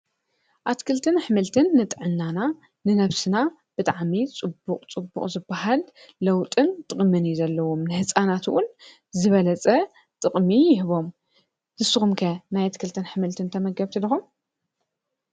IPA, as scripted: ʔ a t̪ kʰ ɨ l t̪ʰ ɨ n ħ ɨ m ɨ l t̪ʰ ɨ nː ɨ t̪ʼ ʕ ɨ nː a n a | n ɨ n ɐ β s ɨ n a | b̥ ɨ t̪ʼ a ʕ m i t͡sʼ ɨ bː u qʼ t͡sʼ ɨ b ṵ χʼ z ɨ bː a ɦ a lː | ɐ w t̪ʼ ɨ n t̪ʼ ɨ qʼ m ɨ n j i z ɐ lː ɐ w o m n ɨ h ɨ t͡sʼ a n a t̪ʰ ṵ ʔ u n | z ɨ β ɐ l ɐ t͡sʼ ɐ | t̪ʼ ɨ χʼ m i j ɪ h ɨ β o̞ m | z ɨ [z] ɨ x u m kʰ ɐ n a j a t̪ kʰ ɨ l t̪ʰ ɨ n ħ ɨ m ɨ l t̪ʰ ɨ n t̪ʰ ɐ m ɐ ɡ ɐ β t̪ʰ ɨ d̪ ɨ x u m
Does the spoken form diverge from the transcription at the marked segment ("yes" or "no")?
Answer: yes